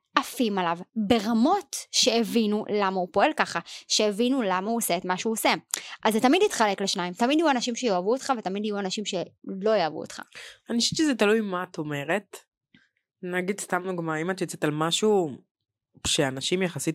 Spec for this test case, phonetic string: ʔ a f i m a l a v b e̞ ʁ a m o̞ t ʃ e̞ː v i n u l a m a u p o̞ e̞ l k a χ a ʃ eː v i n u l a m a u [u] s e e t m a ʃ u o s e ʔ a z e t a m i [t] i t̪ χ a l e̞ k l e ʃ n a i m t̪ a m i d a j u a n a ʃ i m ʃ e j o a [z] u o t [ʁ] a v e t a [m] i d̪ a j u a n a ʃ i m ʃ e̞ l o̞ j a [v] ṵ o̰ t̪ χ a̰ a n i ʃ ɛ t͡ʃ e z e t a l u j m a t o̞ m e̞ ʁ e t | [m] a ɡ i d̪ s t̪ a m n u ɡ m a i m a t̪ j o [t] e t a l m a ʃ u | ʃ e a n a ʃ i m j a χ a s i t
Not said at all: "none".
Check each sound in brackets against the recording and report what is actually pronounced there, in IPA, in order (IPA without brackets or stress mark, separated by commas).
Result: o, d, v, χ, m, v, n, t͡s